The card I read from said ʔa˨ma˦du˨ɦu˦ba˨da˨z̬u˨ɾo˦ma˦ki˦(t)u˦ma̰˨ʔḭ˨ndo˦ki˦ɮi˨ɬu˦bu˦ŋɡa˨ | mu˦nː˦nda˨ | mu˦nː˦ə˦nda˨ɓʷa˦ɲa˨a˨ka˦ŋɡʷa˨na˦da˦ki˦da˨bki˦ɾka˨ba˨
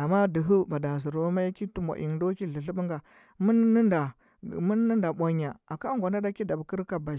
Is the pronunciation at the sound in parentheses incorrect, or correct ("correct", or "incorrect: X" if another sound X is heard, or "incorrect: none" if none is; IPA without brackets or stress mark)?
correct